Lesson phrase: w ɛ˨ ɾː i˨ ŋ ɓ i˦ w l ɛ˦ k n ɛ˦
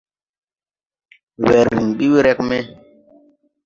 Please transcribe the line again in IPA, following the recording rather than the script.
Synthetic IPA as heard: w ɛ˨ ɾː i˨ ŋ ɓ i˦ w ɾ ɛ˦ k m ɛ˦